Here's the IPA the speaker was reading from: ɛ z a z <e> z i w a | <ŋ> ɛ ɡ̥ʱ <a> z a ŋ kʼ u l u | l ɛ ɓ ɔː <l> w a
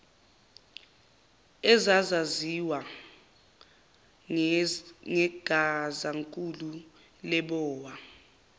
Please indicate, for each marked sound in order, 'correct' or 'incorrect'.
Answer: incorrect: a, correct, correct, incorrect: none

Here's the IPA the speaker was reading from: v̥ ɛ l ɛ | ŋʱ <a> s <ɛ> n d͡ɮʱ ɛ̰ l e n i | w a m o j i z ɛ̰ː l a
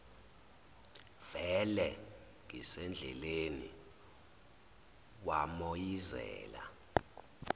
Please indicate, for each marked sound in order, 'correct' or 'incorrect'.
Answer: incorrect: i, correct

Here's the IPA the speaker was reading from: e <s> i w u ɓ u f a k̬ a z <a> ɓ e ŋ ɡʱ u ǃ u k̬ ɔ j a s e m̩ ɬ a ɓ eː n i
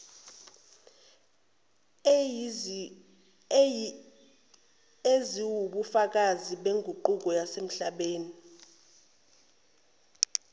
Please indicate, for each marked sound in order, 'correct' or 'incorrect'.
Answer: incorrect: z, incorrect: i

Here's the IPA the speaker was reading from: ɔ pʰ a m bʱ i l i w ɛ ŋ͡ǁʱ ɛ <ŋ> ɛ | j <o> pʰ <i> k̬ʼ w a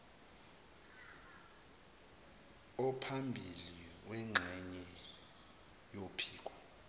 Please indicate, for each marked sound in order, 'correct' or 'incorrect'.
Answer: incorrect: ɲ, correct, incorrect: iː

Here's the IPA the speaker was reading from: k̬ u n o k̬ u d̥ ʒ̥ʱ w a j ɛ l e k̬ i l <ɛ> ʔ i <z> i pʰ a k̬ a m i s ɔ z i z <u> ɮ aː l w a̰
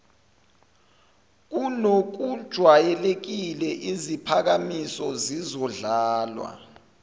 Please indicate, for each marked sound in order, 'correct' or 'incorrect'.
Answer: correct, correct, incorrect: ɔ

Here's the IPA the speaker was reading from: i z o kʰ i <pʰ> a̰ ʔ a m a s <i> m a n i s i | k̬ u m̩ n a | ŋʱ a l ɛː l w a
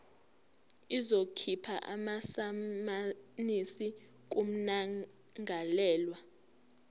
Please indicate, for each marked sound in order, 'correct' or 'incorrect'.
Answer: correct, incorrect: a

